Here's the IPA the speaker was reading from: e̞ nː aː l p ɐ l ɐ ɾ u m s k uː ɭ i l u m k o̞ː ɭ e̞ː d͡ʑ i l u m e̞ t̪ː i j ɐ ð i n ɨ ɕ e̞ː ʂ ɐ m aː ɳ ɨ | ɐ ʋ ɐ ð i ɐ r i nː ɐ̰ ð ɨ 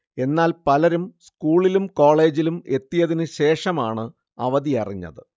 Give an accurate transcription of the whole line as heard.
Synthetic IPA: e̞ nː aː l p ɐ l ɐ ɾ u m s k uː ɭ i l u m k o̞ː ɭ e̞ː d͡ʑ i l u m e̞ t̪ː i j ɐ ð i n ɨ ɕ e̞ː ʂ ɐ m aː ɳ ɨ | ɐ ʋ ɐ ð i ɐ r i ɲː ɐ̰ ð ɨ